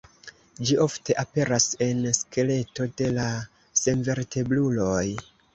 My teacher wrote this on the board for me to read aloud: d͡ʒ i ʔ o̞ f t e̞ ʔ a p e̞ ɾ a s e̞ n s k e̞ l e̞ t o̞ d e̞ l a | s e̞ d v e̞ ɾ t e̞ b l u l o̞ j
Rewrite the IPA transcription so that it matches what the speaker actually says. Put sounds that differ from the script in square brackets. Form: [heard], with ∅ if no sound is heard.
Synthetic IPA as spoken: d͡ʒ i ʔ o̞ f t e̞ ʔ a p e̞ ɾ a s e̞ n s k e̞ l e̞ t o̞ d e̞ l a | s e̞ [n] v e̞ ɾ t e̞ b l u l o̞ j